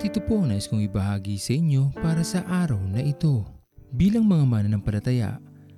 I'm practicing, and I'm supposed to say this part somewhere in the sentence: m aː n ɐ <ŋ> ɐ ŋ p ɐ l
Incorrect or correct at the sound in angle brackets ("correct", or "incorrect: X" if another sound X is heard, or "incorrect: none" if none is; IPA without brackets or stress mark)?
incorrect: n